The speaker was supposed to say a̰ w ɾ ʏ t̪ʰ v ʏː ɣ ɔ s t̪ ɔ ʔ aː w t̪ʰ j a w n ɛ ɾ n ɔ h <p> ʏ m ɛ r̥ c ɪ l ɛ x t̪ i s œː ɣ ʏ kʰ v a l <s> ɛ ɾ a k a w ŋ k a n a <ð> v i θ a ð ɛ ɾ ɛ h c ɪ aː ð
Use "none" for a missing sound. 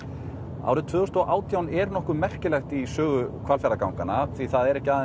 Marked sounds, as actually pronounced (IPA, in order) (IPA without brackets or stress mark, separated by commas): k, f, θ